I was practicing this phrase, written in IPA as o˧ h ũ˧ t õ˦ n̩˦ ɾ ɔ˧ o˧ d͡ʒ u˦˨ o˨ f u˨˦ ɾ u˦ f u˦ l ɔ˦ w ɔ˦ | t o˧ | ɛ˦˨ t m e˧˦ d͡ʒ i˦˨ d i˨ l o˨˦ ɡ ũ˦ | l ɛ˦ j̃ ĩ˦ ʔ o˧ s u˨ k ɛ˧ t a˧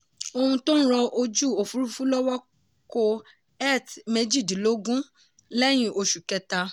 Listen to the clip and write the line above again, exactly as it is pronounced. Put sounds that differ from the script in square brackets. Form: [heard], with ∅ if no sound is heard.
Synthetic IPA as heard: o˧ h ũ˧ t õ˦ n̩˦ ɾ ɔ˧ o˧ d͡ʒ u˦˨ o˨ f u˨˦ ɾ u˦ f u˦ l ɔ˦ w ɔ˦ | [k] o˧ | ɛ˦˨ t m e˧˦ d͡ʒ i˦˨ d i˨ l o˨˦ ɡ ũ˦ | l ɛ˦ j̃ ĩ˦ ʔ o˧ [ʃ] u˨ k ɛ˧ t a˧

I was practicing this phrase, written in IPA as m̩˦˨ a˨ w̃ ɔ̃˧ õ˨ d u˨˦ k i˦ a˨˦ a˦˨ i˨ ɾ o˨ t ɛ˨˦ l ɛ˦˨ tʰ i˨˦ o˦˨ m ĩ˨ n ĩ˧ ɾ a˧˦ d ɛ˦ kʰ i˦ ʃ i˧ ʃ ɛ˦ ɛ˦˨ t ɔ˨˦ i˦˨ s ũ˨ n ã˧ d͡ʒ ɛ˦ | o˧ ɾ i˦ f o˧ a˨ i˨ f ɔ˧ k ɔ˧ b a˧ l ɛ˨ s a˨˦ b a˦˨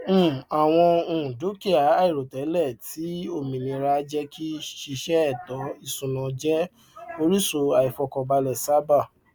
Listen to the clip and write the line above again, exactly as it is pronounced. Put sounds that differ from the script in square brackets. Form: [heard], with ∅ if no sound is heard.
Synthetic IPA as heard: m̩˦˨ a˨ w̃ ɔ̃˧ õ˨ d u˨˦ k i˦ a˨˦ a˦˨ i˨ ɾ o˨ t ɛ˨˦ l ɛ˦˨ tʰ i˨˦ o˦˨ m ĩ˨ n ĩ˧ ɾ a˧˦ [d͡ʒ] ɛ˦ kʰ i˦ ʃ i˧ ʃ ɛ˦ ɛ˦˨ t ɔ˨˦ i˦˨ s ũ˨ n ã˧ d͡ʒ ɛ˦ | o˧ ɾ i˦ [s] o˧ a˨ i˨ f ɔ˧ k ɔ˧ b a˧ l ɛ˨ s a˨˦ b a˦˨

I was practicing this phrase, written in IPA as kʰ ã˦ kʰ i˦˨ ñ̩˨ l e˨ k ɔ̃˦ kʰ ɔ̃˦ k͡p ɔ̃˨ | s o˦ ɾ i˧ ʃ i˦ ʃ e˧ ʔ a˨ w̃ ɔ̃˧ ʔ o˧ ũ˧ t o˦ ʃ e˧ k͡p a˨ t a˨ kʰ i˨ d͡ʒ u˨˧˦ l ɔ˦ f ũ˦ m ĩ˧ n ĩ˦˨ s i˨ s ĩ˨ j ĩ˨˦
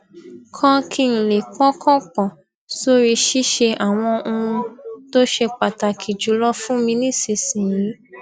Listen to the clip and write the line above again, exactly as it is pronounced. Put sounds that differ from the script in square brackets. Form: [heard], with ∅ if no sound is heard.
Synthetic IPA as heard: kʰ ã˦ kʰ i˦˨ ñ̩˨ l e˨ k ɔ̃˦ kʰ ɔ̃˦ k͡p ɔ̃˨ | s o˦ ɾ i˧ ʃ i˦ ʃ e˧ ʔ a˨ w̃ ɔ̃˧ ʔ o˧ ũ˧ t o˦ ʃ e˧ k͡p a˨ t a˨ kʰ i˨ d͡ʒ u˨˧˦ l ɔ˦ f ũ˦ m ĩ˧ n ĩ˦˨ s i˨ s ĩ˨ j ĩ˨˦

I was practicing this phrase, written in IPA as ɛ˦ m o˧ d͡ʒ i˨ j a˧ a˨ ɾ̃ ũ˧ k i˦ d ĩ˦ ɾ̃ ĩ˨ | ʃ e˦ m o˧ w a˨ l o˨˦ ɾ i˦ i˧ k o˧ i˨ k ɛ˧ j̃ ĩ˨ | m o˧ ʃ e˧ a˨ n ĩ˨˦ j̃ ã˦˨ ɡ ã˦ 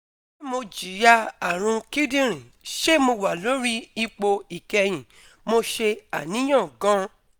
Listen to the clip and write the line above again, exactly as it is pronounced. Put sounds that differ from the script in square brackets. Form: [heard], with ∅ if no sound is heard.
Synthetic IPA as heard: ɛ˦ m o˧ d͡ʒ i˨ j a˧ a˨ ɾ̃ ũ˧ k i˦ d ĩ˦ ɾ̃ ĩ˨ | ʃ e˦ m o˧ w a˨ l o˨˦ ɾ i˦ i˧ [k͡p] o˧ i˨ k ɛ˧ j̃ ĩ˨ | m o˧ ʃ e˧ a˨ n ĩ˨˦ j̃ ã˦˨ ɡ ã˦

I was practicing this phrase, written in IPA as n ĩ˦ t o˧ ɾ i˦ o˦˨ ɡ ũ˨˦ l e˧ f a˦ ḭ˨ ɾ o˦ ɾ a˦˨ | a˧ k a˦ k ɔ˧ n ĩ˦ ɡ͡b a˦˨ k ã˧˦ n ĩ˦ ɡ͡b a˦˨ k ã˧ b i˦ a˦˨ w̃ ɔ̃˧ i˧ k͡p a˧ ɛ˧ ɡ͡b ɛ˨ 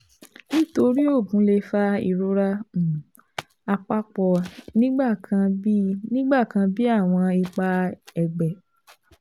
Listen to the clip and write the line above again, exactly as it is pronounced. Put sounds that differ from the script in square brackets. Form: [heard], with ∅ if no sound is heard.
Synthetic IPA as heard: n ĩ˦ t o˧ ɾ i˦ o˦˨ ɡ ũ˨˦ l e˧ f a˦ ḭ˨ ɾ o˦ ɾ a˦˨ | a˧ [k͡p] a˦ [k͡p] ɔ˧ n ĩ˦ ɡ͡b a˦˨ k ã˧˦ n ĩ˦ ɡ͡b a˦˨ k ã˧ b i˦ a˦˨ w̃ ɔ̃˧ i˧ k͡p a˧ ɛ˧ ɡ͡b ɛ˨

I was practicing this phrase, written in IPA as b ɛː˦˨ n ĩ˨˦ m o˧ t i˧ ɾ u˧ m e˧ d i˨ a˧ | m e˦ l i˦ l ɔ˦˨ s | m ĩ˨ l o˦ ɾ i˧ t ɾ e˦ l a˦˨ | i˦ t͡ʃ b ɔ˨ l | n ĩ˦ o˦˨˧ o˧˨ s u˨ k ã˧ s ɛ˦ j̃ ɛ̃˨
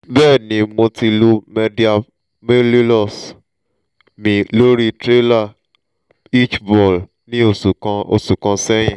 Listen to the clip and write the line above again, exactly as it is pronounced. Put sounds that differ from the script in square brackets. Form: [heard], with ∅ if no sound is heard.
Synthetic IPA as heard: b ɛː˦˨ n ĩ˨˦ m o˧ t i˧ [l] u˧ m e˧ d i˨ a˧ | m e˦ l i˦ l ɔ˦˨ s | m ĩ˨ l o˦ ɾ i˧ t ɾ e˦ l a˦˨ | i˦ t͡ʃ b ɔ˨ l | n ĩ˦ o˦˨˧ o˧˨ s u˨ k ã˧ s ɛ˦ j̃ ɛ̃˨

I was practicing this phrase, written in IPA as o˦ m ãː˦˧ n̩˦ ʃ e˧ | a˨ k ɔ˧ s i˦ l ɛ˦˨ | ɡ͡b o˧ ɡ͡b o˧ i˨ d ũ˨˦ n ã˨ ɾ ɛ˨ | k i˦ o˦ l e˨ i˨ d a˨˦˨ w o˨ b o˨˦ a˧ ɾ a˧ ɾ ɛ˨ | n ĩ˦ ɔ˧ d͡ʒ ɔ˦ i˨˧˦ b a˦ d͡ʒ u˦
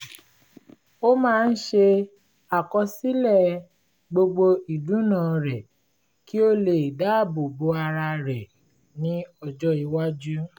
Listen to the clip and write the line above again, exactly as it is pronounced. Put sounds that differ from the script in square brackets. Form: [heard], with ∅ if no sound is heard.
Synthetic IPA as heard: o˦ m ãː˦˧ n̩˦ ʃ e˧ | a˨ k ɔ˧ s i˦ l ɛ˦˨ | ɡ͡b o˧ ɡ͡b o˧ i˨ d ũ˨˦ n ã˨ ɾ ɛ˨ | k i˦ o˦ l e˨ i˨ d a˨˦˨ [b] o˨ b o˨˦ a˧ ɾ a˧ ɾ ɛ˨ | n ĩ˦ ɔ˧ d͡ʒ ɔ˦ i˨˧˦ [w] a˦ d͡ʒ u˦

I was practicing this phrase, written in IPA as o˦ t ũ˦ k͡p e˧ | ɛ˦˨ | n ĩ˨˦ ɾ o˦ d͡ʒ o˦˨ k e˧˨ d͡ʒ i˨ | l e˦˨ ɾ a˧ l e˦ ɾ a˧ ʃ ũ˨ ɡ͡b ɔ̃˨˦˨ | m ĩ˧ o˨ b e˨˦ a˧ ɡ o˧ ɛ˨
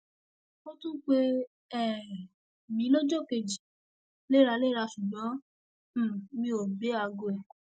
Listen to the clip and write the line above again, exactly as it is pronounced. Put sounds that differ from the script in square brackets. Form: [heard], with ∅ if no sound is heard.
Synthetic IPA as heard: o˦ t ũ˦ k͡p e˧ | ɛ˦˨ | [m] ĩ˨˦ [l] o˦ d͡ʒ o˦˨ k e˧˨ d͡ʒ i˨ | l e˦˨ ɾ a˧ l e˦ ɾ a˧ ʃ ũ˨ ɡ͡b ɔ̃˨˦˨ | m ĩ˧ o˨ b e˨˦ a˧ ɡ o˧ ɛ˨

